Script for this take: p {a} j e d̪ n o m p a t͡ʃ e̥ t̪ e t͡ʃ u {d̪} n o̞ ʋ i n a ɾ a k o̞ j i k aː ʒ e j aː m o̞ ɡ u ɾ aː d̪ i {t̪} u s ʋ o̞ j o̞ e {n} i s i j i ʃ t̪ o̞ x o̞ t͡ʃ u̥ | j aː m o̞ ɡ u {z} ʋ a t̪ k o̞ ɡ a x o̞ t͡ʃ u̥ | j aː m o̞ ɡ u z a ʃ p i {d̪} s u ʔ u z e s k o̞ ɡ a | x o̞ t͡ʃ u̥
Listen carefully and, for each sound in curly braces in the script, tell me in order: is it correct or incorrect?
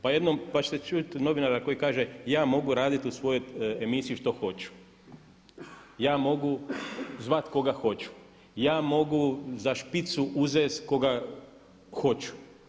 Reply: correct, incorrect: t̪, correct, incorrect: m, correct, incorrect: t̪

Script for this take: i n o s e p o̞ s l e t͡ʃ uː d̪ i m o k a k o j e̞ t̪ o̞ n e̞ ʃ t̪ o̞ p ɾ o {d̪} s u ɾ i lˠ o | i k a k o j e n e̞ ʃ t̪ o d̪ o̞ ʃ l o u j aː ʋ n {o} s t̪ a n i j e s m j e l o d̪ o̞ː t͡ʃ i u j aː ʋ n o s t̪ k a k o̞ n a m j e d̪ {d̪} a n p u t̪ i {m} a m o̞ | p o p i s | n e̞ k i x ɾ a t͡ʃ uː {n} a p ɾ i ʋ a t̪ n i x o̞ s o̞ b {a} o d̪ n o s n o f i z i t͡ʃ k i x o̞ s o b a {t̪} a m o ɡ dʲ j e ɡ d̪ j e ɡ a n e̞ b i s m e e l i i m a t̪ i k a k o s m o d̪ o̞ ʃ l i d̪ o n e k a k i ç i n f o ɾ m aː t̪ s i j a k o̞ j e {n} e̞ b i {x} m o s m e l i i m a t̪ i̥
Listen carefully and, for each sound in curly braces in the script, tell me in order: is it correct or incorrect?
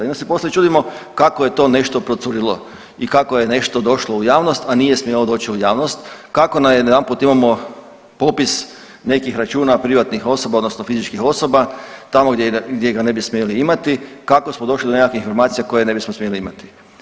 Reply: incorrect: t̪, correct, correct, correct, correct, correct, correct, correct, incorrect: s

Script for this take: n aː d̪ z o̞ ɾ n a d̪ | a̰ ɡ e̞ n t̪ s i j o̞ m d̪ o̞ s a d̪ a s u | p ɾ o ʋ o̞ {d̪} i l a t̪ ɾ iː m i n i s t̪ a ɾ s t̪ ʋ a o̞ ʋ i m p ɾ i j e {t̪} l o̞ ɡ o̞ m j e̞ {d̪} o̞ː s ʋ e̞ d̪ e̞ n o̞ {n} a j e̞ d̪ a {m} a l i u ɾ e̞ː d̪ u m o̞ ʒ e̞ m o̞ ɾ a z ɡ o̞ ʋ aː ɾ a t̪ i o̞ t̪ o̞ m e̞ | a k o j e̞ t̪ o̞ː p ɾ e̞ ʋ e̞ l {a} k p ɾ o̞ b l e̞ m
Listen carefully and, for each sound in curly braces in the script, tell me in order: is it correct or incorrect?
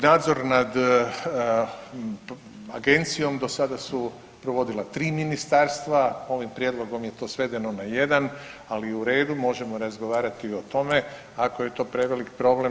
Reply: correct, incorrect: d̪, incorrect: t̪, correct, incorrect: n, incorrect: i

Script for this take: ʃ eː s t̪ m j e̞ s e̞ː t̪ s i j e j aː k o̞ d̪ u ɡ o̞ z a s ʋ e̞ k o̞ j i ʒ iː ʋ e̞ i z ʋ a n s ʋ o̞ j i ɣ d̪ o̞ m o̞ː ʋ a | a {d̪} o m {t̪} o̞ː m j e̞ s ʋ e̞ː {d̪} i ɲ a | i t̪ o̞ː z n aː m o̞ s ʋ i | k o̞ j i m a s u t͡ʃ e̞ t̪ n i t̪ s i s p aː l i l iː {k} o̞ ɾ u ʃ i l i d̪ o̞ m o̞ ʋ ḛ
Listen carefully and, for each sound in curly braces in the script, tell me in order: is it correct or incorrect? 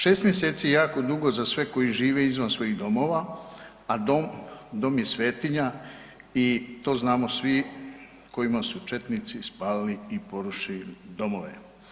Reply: correct, incorrect: d̪, incorrect: t̪, incorrect: p

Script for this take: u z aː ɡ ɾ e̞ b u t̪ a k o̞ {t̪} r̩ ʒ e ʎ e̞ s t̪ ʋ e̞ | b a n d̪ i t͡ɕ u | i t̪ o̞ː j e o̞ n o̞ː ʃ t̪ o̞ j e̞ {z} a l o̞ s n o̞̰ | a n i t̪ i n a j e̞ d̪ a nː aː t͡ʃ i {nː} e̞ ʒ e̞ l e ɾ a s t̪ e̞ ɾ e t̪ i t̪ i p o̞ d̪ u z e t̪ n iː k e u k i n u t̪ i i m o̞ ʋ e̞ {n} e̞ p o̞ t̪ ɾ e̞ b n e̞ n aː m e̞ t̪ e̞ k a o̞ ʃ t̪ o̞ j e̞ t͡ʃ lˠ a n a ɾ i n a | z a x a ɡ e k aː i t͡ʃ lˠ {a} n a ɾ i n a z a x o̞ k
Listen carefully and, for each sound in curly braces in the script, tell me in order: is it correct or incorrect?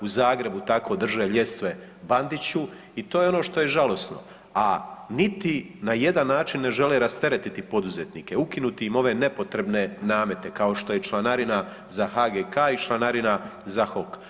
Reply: incorrect: d̪, incorrect: ʒ, correct, correct, correct

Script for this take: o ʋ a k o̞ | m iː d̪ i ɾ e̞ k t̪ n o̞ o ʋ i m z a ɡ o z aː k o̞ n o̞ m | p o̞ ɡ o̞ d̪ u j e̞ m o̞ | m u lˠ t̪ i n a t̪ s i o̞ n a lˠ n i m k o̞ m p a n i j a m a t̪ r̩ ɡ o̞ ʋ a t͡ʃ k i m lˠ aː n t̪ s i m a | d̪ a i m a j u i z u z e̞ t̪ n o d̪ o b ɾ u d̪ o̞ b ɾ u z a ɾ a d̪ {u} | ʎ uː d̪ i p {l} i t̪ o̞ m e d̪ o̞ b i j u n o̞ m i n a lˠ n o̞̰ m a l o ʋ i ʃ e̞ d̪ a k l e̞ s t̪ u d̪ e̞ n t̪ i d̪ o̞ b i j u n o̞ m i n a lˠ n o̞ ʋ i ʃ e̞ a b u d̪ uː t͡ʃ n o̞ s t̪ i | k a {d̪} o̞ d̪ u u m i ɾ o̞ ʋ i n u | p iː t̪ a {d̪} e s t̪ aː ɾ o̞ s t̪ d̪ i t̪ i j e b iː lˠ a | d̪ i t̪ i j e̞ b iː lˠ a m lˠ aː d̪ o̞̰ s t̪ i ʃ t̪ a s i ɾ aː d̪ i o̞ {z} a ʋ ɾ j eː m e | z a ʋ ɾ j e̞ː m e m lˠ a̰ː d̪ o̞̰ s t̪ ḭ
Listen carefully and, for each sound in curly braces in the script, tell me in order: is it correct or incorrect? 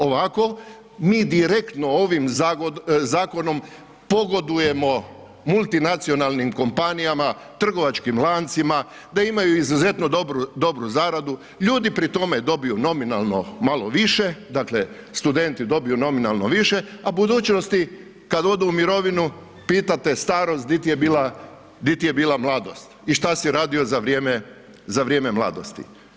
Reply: correct, incorrect: ɾ, correct, incorrect: t̪, correct

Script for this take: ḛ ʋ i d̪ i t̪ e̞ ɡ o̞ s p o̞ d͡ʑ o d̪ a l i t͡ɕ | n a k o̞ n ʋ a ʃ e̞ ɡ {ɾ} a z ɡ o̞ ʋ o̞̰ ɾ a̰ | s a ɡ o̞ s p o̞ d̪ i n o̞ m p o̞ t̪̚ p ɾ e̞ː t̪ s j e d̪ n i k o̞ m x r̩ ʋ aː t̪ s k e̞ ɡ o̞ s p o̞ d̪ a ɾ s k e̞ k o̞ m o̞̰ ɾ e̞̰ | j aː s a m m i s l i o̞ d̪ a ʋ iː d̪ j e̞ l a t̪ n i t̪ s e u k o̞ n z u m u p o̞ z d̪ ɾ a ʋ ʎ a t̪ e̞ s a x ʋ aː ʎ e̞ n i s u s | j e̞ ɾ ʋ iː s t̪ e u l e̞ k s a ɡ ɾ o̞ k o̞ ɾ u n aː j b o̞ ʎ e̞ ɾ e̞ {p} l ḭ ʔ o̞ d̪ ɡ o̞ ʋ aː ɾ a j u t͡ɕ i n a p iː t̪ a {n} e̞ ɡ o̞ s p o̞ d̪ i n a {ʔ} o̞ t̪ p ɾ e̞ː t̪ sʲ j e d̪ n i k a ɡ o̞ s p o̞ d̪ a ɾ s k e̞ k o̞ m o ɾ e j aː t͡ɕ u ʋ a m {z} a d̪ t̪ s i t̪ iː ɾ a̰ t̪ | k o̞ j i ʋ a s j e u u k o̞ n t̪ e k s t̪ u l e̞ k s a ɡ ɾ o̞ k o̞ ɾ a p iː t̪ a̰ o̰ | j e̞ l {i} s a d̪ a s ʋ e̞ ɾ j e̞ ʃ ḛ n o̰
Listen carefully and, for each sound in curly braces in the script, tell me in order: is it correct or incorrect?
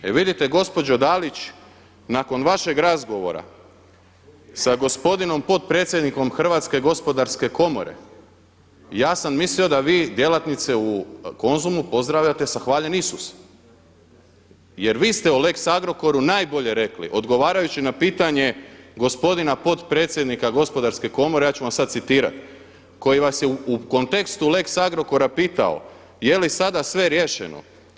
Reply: correct, incorrect: k, incorrect: ɲ, incorrect: p, incorrect: s, correct

